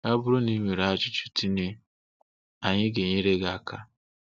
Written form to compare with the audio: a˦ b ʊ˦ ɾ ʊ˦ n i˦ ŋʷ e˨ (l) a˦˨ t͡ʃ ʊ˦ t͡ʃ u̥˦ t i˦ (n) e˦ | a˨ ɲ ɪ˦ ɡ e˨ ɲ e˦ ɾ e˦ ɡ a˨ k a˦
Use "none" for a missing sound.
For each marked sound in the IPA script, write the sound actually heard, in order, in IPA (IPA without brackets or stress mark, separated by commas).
ɾ, n